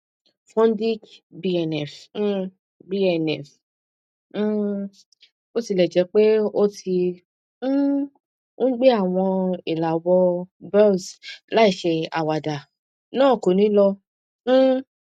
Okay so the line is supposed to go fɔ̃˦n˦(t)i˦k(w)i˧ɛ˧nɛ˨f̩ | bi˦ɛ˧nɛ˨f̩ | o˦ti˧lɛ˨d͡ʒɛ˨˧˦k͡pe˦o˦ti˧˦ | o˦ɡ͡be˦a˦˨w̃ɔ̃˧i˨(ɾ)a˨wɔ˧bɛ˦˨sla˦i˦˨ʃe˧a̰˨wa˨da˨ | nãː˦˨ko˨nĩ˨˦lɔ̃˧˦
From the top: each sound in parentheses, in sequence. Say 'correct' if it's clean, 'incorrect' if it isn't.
incorrect: d, incorrect: b, incorrect: l

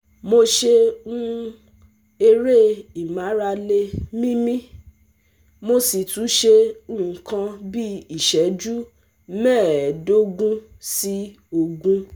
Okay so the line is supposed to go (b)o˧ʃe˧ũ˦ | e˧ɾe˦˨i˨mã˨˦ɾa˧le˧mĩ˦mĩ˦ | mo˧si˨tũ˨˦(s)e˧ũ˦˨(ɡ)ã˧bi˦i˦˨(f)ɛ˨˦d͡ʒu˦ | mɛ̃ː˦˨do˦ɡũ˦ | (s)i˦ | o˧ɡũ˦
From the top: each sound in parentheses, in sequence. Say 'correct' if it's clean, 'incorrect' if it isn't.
incorrect: m, incorrect: ʃ, incorrect: k, incorrect: ʃ, correct

